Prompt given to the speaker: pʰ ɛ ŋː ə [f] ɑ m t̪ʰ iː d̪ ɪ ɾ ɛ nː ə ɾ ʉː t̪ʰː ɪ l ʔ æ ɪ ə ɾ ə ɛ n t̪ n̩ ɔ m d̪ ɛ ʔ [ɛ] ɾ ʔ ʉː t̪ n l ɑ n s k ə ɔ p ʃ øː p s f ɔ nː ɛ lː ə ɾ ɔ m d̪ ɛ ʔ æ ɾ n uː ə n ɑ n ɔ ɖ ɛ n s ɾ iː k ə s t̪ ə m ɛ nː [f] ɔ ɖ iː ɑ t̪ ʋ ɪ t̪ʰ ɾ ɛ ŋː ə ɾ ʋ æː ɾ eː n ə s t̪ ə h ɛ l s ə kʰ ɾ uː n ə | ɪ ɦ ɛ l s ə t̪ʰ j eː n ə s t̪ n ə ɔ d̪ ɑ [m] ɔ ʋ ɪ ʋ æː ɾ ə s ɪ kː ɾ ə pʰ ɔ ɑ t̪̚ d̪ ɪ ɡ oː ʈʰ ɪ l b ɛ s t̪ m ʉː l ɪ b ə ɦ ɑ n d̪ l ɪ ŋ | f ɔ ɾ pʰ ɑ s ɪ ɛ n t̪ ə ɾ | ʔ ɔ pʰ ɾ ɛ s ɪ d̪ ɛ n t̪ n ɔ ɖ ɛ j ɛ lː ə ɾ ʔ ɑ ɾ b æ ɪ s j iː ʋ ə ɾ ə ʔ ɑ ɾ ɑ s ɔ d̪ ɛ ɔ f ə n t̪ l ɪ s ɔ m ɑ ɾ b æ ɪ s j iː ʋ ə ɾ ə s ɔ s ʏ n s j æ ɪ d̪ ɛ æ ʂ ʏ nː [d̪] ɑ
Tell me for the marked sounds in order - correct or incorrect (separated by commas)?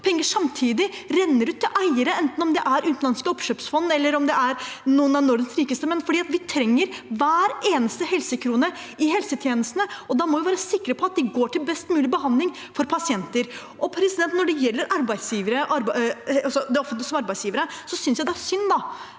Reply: incorrect, incorrect, correct, correct, correct